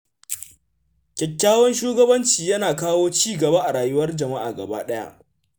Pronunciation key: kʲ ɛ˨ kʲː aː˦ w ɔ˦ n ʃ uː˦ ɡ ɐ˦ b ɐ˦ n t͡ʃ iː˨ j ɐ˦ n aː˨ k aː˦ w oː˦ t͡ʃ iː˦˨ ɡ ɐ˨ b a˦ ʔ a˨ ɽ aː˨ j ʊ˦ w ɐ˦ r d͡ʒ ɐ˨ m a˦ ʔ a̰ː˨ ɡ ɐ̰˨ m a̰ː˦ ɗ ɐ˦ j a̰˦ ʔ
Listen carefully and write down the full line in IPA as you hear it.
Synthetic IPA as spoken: kʲ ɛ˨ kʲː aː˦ w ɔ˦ n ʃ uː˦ ɡ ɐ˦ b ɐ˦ n t͡ʃ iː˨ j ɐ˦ n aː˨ k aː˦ w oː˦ t͡ʃ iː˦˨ ɡ ɐ˨ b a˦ ʔ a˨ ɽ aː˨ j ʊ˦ w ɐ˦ r d͡ʒ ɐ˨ m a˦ ʔ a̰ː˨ ɡ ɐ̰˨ b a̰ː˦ ɗ ɐ˦ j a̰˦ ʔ